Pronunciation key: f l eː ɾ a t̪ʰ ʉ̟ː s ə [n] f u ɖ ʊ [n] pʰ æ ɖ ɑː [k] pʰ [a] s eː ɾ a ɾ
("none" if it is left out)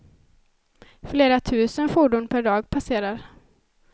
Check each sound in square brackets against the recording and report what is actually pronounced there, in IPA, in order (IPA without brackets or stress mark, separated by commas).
n, n, ɡ, a